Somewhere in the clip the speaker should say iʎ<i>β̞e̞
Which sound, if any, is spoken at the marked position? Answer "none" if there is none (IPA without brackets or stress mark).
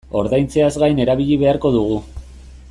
i